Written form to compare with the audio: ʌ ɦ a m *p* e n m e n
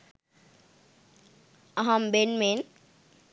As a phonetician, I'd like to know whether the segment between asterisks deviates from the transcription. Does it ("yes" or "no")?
yes